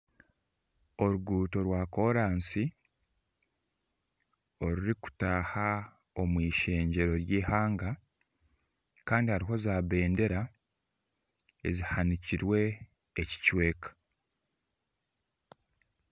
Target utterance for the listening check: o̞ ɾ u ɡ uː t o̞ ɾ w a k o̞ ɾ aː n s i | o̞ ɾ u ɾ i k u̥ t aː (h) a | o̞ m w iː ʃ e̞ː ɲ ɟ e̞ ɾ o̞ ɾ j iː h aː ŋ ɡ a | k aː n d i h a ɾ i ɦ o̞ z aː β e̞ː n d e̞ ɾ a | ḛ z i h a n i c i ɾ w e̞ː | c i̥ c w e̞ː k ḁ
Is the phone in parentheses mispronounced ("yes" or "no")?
no